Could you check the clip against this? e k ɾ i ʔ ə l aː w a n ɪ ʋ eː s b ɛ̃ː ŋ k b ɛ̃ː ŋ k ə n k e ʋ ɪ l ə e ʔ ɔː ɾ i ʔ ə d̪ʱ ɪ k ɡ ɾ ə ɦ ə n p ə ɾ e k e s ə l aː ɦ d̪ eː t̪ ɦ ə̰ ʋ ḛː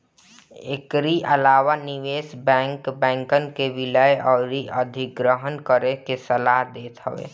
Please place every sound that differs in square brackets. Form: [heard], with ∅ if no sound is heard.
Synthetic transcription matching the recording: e k ɾ i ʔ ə l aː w a n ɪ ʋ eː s b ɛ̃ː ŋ k b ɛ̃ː ŋ k ə n k e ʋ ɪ l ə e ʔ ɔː ɾ i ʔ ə d̪ʱ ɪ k ɡ ɾ ə ɦ ə n [k] ə ɾ e k e s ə l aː ɦ d̪ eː t̪ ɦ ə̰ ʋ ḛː